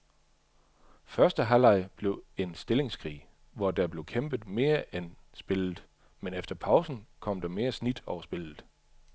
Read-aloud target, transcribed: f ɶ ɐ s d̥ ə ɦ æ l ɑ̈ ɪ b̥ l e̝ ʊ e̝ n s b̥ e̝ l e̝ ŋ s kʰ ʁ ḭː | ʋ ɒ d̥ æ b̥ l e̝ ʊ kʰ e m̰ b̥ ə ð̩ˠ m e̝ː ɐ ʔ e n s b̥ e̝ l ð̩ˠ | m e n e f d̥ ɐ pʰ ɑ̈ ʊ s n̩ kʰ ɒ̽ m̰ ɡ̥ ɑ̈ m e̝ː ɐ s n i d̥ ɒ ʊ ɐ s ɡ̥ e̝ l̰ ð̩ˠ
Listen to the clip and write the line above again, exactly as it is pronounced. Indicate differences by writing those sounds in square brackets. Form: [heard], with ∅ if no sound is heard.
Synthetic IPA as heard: f ɶ ɐ s d̥ ə ɦ æ l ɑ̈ ɪ b̥ l e̝ ʊ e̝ n s [d̥] e̝ l e̝ ŋ s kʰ ʁ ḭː | ʋ ɒ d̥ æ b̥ l e̝ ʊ kʰ e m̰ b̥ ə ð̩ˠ m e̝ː ɐ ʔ e n s b̥ e̝ l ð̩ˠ | m e n e f d̥ ɐ pʰ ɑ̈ ʊ s n̩ kʰ ɒ̽ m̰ [d̥] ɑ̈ m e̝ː ɐ s n i d̥ ɒ ʊ ɐ s [b̥] e̝ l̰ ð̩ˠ

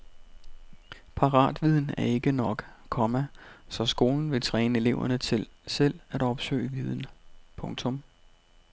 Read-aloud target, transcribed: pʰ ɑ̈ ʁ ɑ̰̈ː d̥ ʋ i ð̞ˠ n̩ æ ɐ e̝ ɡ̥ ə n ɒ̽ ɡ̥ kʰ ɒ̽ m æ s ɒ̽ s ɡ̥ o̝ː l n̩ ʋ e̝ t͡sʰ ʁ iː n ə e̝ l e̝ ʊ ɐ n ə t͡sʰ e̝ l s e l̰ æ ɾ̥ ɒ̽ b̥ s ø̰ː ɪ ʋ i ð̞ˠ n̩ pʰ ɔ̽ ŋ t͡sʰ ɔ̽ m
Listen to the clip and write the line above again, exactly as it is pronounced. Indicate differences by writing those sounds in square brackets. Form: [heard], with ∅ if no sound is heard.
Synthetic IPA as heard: pʰ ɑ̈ ʁ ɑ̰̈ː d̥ ʋ i ð̞ˠ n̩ æ ɐ e̝ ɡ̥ ə n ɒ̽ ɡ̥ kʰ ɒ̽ m æ s ɒ̽ s ɡ̥ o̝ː l n̩ ʋ e̝ t͡sʰ ʁ [ɛː] n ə e̝ l e̝ ʊ ɐ n ə t͡sʰ e̝ l s e l̰ æ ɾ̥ ɒ̽ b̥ s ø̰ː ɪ ʋ i ð̞ˠ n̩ pʰ ɔ̽ ŋ t͡sʰ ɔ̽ m

